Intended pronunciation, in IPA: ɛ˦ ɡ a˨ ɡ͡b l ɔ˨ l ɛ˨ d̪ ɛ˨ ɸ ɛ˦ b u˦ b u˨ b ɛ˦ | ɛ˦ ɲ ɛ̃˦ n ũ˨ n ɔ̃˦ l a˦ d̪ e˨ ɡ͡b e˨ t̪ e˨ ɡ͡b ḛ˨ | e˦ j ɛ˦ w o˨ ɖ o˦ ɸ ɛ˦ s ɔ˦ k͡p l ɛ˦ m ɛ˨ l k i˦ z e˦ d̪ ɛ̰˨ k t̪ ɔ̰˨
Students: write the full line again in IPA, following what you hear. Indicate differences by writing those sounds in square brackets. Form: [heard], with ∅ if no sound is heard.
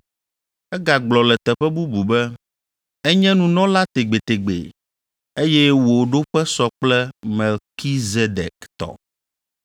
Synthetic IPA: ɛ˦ ɡ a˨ ɡ͡b l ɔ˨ l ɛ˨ [t̪] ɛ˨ ɸ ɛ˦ b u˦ b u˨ b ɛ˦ | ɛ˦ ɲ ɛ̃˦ n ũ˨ n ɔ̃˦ l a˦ [t̪] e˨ ɡ͡b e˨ t̪ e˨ ɡ͡b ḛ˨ | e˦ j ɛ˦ w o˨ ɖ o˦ ɸ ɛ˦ s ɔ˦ k͡p l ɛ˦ m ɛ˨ l k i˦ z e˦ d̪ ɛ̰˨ k t̪ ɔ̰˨

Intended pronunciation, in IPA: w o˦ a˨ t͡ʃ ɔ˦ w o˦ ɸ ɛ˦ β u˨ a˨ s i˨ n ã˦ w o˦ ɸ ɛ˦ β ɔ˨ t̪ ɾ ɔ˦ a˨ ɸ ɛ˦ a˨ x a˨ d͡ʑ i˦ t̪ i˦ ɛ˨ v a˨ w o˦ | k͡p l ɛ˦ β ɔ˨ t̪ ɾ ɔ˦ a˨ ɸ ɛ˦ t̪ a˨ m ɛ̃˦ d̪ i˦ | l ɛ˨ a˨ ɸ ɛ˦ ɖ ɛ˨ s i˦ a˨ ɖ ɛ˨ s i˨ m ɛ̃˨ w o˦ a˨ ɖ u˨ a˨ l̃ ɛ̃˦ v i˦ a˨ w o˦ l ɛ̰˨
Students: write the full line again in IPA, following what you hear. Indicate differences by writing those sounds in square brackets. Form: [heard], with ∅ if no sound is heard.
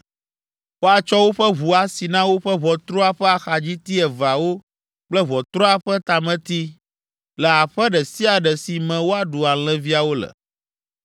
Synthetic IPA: w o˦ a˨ t͡ʃ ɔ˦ w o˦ ɸ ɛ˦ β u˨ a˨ s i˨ n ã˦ w o˦ ɸ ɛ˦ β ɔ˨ t̪ ɾ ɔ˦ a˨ ɸ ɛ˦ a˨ x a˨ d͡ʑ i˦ t̪ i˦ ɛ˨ v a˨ w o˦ | k͡p l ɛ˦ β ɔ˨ t̪ ɾ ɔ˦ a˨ ɸ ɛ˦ t̪ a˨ m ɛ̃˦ [t̪] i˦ | l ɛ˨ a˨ ɸ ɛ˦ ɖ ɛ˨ s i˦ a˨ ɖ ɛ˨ s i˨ m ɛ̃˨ w o˦ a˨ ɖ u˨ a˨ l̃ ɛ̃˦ v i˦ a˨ w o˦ l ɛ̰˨

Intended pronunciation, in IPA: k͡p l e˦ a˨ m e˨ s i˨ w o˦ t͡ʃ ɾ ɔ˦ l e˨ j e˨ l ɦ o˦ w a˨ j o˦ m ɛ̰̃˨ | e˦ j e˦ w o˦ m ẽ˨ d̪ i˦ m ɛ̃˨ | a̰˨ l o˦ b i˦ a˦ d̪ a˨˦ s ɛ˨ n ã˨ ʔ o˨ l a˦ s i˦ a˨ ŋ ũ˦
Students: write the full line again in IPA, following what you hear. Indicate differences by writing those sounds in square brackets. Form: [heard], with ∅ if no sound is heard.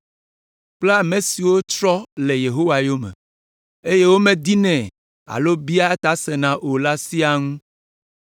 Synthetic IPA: k͡p l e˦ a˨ m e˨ s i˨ w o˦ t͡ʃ ɾ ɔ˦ l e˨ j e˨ [∅] ɦ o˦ w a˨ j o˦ m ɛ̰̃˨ | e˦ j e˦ w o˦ m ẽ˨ d̪ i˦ [n] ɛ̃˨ | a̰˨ l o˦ b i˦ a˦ [t̪] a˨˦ s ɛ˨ n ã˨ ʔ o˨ l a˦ s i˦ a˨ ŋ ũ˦

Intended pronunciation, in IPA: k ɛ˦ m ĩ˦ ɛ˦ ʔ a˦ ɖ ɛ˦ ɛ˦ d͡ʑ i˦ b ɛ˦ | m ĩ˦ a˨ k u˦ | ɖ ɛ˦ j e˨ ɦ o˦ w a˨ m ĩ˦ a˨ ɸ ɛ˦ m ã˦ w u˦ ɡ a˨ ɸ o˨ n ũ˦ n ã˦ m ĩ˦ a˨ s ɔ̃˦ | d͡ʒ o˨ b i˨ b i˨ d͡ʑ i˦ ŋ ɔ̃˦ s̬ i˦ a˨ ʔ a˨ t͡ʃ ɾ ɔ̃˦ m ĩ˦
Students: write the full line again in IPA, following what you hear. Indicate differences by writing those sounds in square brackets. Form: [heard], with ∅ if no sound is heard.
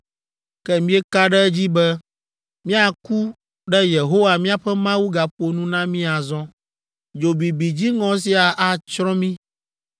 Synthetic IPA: k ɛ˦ m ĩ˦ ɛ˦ [k] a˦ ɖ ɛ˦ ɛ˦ d͡ʑ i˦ b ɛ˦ | m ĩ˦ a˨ k u˦ | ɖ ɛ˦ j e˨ ɦ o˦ w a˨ m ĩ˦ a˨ ɸ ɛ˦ m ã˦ w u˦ ɡ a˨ ɸ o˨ n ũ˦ n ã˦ m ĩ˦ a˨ [z] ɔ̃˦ | d͡ʒ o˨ b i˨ b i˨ d͡ʑ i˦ ŋ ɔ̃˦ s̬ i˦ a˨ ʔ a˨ t͡ʃ ɾ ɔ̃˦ m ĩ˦

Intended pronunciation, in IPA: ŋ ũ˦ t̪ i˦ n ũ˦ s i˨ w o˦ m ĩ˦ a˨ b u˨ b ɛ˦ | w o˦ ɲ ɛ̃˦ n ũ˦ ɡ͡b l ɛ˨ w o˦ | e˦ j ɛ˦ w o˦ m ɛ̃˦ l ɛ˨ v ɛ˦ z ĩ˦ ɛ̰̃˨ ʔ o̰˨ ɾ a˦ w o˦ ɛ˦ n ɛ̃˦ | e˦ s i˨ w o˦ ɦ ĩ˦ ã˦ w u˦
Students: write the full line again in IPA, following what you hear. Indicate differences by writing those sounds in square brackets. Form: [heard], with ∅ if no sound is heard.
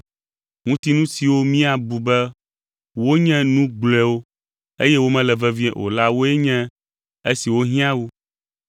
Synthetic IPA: ŋ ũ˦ t̪ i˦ n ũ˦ s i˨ w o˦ m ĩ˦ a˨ b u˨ b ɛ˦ | w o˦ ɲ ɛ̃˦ n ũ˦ ɡ͡b l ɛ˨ w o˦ | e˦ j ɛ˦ w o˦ m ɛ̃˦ l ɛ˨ v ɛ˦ [v] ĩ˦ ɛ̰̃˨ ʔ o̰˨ [l] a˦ w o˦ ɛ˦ [ɲ] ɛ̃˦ | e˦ s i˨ w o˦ ɦ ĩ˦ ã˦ w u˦

